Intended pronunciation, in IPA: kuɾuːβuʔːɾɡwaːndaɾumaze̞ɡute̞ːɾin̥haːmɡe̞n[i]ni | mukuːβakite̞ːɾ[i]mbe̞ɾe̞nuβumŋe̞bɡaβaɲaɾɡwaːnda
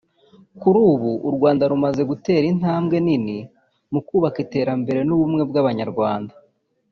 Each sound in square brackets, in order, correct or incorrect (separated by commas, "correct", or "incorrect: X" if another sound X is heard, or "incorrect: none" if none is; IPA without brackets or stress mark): correct, incorrect: a